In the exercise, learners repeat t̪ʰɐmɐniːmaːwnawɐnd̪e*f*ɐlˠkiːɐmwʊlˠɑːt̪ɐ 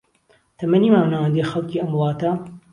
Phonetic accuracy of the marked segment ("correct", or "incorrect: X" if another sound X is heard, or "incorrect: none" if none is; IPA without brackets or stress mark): incorrect: x